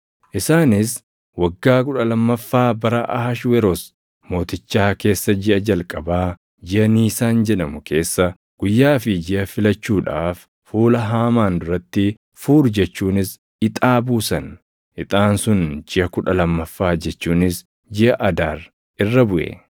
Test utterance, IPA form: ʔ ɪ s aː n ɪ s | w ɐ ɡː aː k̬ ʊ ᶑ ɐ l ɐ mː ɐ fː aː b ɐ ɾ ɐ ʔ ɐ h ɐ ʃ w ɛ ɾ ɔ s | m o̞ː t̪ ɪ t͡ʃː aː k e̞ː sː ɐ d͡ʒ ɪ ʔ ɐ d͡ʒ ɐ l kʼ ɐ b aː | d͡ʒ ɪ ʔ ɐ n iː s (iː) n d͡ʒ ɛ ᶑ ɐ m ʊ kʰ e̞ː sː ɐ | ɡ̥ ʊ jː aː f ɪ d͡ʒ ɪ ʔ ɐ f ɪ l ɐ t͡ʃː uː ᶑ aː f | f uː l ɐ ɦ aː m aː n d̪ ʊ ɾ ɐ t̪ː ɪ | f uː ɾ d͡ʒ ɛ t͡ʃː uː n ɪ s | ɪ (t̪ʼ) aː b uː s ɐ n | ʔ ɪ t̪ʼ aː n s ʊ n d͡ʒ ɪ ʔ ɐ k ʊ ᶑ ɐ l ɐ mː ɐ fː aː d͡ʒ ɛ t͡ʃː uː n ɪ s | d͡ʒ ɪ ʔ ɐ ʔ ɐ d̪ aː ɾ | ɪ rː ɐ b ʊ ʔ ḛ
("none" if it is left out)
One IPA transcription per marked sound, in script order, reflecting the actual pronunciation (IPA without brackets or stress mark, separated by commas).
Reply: aː, t̪ʼ